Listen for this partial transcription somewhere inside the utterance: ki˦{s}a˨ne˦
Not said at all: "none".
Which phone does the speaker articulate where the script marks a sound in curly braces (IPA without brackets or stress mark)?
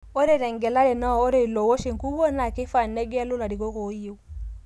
f